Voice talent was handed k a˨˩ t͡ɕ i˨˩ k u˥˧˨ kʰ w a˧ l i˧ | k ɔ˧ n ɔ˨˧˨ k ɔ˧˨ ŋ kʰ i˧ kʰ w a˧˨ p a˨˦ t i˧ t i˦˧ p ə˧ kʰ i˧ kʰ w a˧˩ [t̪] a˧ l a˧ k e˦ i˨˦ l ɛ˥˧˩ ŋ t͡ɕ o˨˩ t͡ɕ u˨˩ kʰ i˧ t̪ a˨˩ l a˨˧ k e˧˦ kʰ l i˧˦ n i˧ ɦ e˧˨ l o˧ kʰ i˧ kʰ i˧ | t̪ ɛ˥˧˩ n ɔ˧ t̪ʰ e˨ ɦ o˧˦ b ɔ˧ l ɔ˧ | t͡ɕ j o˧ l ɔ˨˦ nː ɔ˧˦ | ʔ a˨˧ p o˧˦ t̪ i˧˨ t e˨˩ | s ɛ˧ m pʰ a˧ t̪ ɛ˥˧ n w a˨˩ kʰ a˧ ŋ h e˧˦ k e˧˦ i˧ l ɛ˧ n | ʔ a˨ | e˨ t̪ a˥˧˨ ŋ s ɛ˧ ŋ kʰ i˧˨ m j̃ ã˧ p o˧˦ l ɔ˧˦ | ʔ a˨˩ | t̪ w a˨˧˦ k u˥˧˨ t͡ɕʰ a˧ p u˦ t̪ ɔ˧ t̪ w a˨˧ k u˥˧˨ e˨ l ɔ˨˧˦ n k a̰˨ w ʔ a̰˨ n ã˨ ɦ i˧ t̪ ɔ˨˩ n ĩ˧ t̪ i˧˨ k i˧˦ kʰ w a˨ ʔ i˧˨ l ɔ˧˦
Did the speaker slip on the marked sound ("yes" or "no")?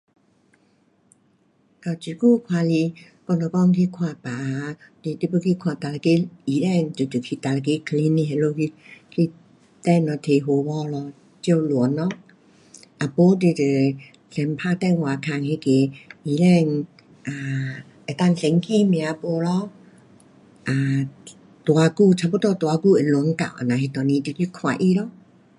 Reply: no